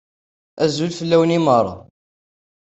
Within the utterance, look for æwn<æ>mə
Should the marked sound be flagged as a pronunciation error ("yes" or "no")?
yes